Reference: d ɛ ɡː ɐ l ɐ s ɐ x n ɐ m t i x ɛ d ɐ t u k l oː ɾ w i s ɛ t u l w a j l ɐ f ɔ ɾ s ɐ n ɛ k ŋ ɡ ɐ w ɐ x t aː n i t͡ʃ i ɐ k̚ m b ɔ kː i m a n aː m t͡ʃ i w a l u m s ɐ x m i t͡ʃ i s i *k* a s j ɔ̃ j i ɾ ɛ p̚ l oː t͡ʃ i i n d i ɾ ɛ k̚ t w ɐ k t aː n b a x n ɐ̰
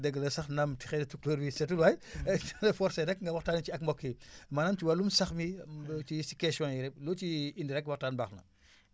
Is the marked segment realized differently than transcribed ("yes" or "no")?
no